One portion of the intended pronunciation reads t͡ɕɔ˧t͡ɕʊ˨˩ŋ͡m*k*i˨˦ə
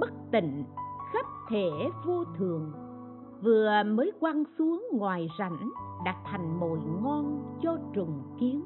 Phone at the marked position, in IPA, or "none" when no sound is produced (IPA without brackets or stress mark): k